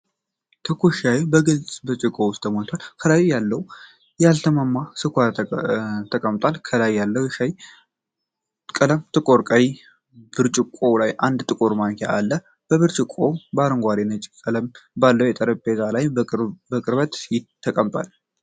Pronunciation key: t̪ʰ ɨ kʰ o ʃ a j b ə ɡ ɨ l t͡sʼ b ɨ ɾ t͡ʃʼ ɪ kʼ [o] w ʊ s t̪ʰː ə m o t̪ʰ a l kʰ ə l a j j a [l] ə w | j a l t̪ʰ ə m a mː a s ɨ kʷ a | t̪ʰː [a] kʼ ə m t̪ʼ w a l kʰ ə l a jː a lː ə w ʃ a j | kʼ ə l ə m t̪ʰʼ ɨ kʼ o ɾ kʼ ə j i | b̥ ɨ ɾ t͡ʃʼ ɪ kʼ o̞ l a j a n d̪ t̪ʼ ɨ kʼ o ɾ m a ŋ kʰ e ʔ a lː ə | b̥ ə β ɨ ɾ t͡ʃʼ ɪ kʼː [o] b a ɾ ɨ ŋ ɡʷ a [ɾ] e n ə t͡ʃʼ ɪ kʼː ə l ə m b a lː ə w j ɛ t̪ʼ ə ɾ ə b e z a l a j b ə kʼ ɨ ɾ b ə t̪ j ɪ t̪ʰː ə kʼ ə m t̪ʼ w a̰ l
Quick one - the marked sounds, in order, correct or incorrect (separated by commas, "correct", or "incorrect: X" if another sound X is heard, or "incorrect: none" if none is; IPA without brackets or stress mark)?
correct, incorrect: lː, incorrect: ə, correct, correct